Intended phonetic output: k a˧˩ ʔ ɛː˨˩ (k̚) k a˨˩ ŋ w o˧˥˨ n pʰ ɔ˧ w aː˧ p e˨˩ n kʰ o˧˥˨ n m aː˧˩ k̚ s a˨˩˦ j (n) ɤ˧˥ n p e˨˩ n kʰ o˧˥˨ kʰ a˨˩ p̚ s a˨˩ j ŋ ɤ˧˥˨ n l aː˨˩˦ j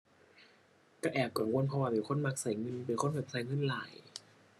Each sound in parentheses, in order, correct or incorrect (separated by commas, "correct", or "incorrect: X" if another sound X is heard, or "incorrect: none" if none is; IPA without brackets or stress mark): incorrect: p̚, incorrect: ŋ